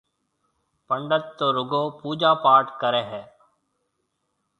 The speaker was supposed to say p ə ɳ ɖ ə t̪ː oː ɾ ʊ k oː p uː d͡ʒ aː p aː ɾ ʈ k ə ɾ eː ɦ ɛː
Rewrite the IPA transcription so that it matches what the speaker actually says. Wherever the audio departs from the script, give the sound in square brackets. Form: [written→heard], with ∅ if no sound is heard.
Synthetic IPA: p ə ɳ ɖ ə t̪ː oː ɾ ʊ [k→ɡ] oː p uː d͡ʒ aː p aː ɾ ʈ k ə ɾ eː ɦ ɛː